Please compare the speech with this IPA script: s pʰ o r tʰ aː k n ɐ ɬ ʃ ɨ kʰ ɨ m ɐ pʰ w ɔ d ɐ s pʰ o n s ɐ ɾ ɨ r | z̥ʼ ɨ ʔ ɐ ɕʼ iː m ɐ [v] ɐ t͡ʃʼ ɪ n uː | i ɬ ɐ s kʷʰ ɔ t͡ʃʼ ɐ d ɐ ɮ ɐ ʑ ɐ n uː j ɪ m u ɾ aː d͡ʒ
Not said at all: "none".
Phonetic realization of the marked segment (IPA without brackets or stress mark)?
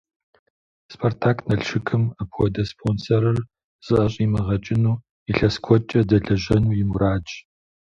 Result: ʁ